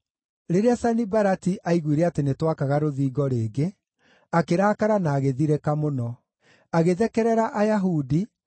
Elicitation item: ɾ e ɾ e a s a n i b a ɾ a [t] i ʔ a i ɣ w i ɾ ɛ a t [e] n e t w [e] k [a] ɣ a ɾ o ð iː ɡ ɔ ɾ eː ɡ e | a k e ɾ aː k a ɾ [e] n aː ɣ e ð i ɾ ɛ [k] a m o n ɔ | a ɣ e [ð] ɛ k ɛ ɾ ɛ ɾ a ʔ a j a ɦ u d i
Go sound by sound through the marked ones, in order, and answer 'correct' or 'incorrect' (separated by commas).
correct, correct, incorrect, correct, incorrect, correct, correct